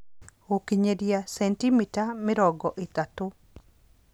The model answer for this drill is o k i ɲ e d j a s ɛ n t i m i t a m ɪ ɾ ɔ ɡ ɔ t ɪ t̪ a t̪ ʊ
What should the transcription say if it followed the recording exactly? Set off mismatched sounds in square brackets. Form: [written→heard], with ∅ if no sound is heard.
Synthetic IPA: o k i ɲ e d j a s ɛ n t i m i t a m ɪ ɾ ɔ ɡ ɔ [t→ʔ] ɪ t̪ a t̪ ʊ